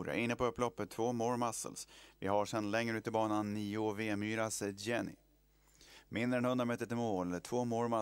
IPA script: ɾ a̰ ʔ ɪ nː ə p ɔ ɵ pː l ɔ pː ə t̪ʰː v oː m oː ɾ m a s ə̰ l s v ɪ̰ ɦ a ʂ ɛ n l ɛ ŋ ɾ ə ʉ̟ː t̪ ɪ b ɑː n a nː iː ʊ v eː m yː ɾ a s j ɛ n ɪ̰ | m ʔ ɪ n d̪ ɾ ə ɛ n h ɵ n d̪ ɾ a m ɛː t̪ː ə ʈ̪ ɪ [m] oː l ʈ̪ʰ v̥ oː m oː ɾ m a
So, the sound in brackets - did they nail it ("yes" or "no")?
yes